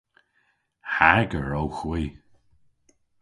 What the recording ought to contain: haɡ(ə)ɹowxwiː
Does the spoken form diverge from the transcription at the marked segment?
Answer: no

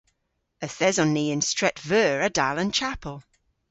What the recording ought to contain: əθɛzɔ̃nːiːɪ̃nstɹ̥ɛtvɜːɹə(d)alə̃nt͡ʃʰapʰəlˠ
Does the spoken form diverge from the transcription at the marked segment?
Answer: no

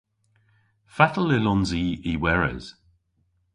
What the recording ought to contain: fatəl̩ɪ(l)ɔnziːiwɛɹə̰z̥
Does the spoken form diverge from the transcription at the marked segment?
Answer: no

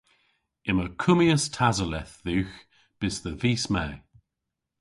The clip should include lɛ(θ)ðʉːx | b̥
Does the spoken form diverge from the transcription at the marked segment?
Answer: no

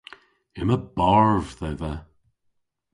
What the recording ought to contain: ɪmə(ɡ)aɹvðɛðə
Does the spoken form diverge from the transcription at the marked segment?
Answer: yes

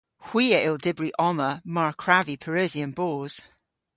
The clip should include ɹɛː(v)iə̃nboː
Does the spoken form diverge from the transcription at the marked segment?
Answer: yes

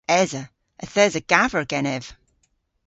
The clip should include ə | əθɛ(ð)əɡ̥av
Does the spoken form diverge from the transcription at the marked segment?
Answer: yes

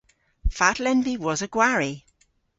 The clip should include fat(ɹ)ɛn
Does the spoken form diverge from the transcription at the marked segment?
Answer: yes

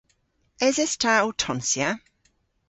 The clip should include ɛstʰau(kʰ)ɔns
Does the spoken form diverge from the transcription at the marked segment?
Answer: yes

